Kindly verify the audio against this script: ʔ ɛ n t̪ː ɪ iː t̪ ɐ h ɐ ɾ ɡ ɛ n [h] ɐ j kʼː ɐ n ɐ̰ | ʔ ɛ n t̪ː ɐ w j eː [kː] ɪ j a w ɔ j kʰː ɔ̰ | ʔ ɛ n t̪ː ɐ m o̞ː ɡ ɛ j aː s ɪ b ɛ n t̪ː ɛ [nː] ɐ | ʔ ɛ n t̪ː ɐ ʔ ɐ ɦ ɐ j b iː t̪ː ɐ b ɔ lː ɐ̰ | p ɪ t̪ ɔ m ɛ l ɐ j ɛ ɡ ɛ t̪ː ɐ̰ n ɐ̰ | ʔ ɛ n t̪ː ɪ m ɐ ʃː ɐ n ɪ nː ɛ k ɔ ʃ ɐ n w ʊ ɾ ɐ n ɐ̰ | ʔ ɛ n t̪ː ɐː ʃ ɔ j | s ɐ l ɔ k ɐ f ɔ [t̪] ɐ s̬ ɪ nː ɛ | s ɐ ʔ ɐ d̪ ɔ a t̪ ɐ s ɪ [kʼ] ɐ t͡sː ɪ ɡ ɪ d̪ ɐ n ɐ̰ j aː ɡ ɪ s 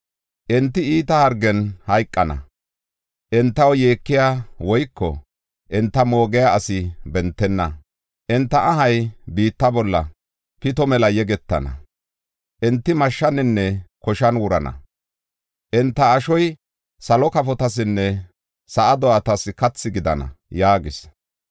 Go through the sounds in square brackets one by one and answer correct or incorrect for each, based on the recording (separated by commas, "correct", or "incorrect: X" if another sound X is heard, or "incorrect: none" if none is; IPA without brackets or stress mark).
correct, correct, correct, correct, incorrect: k